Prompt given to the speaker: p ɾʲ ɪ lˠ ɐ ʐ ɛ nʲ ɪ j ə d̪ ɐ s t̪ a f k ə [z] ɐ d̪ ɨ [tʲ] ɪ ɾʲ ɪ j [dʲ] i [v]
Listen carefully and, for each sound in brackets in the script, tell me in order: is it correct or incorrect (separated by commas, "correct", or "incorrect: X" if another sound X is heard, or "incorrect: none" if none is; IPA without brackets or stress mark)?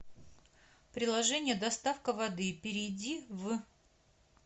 incorrect: v, incorrect: pʲ, correct, correct